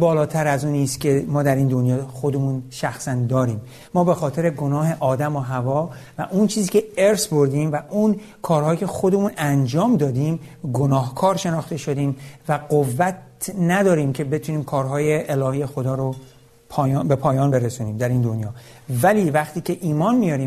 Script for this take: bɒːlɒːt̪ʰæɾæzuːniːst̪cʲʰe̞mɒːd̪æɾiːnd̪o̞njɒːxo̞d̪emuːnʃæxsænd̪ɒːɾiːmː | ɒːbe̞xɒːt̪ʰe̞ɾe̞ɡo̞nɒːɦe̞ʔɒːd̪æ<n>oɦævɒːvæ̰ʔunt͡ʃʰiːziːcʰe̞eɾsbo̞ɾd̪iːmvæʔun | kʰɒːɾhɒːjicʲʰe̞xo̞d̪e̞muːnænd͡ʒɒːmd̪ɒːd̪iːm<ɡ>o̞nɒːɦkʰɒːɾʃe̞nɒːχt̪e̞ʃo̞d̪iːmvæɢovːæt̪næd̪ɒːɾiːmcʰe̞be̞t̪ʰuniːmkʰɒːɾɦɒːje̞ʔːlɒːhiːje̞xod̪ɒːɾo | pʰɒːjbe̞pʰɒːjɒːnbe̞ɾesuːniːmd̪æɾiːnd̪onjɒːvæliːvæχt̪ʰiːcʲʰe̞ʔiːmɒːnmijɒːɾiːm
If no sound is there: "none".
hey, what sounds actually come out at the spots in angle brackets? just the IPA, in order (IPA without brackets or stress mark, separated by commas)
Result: m, ɡ